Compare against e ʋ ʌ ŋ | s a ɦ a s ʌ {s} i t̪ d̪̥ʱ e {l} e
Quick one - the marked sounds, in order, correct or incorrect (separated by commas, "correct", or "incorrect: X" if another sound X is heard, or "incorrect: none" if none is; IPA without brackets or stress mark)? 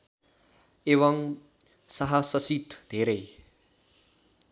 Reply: correct, incorrect: ɾ